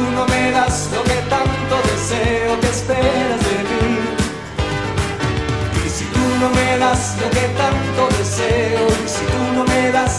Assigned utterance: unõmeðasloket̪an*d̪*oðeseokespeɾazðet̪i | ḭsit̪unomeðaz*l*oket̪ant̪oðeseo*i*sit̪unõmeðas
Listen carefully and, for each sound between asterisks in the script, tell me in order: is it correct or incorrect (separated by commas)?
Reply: incorrect, correct, correct